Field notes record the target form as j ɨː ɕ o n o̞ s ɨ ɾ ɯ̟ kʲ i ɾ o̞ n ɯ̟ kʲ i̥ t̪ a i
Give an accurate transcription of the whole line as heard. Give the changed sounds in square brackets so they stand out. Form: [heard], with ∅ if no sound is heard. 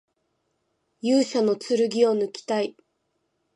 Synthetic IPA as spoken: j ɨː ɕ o n o̞ [t͡s] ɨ ɾ ɯ̟ [ɡʲ] i [∅] o̞ n ɯ̟ kʲ i̥ t̪ a i